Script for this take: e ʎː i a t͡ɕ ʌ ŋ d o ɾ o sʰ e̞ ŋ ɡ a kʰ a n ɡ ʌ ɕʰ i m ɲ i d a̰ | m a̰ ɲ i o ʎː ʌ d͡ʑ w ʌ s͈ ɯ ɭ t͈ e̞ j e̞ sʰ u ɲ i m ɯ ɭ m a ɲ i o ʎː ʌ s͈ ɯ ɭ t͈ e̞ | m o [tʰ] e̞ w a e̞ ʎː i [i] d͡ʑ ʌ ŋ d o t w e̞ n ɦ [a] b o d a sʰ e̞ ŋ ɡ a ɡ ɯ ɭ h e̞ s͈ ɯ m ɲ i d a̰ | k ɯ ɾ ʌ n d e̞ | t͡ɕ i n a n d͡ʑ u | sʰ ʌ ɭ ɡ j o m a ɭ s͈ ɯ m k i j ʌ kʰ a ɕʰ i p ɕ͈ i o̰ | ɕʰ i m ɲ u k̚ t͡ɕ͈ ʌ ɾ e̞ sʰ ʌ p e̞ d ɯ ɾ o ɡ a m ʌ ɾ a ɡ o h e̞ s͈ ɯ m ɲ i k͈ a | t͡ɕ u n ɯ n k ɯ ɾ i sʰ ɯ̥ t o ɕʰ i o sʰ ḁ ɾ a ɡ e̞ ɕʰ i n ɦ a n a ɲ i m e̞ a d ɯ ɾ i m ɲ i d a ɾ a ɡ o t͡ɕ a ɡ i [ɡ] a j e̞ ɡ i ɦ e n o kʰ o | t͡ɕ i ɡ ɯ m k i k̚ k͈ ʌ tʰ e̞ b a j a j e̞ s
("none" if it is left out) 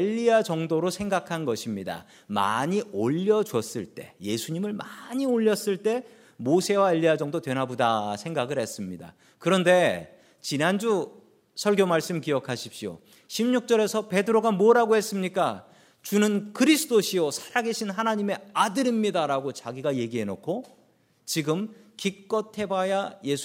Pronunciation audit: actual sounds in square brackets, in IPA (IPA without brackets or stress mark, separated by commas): sʰ, a, a, ɡ